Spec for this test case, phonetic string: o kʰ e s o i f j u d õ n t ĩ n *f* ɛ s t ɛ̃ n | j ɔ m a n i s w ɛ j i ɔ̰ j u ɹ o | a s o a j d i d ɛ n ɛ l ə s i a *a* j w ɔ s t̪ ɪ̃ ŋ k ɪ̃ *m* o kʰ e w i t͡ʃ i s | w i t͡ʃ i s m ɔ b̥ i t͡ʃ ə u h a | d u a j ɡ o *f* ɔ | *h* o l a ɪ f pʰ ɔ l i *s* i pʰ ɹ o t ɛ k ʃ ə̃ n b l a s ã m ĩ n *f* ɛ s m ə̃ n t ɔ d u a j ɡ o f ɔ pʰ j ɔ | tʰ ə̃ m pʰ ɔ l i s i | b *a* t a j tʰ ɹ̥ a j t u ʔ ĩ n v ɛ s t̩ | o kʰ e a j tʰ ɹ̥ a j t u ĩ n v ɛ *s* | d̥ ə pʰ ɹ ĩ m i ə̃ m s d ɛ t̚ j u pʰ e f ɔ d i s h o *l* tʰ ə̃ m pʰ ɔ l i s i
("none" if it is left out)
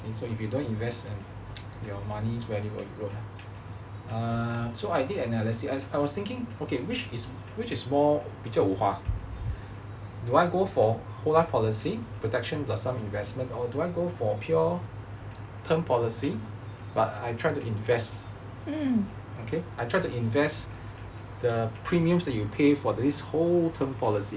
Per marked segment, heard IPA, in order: v, a, ŋ, f, h, s, v, a, s, l

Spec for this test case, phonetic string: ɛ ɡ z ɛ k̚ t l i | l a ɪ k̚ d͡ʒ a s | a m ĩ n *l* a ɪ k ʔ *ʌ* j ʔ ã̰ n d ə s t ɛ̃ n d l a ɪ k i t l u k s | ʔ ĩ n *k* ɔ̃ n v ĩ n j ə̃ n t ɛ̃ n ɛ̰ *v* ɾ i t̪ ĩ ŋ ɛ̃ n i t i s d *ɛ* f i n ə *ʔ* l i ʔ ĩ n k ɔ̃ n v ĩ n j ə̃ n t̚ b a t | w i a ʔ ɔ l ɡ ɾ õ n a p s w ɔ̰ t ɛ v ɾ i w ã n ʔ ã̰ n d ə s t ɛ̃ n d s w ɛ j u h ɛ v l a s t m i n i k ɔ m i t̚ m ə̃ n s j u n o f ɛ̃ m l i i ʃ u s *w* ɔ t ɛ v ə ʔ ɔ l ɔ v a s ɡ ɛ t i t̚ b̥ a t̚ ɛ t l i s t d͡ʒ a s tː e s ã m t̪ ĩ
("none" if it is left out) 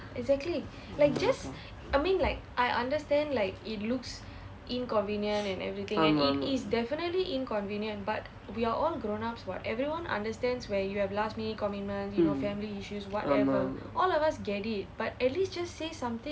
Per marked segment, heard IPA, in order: l, a, k, v, ɛ, t, w

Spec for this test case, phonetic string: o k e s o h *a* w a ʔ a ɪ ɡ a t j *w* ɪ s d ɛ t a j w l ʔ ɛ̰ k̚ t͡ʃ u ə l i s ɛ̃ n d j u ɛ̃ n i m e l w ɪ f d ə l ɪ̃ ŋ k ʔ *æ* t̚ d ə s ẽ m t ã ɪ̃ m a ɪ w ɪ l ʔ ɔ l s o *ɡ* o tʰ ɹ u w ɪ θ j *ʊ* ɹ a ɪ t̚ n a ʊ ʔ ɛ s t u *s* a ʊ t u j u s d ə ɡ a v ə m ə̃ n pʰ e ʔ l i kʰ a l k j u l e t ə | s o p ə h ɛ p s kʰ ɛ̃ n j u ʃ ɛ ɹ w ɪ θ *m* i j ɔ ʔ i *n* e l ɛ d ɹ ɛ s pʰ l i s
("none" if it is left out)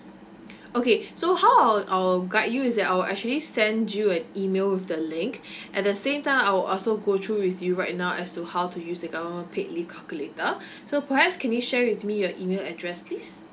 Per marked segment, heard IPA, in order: a, u, ɛ, ɡ, u, h, m, m

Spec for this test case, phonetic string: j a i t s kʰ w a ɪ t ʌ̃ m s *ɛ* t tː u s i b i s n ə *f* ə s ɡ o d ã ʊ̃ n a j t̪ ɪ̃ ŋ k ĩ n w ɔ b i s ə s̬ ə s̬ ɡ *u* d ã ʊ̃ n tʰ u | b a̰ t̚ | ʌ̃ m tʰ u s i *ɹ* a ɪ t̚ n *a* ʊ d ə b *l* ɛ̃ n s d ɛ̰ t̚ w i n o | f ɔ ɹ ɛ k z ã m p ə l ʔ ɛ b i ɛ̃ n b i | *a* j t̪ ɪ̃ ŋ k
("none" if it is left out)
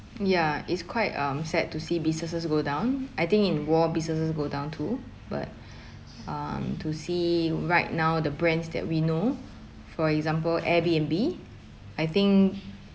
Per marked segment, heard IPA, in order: ɛ, s, o, ɹ, a, ɹ, a

